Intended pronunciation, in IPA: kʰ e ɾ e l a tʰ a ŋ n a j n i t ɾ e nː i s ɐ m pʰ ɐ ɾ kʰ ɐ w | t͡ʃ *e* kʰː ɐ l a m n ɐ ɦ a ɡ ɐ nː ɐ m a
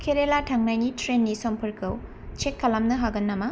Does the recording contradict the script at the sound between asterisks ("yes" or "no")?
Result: no